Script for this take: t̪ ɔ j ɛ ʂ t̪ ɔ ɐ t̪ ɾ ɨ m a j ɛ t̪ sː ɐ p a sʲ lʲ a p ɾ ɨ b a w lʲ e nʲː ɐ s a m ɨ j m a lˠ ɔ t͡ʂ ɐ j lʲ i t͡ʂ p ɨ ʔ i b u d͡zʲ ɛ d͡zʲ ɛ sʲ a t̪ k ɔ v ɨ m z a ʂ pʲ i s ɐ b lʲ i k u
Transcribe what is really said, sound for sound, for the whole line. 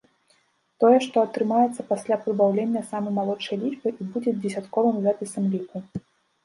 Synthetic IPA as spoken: t̪ ɔ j ɛ ʂ t̪ ɔ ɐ t̪ ɾ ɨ m a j ɛ t̪ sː ɐ p a sʲ lʲ a p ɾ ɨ b a w lʲ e nʲː ɐ s a m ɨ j m a lˠ ɔ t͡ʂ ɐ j lʲ i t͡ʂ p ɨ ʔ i b u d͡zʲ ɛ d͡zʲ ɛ sʲ a t̪ k ɔ v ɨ m z a pʲ i s ɐ m lʲ i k u